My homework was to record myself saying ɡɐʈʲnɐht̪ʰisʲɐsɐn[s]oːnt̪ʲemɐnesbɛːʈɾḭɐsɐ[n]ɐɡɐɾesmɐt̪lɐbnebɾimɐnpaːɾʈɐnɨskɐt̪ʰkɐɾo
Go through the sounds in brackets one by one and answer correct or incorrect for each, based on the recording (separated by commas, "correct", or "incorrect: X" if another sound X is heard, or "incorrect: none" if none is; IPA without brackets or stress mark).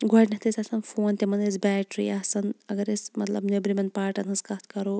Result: incorrect: f, correct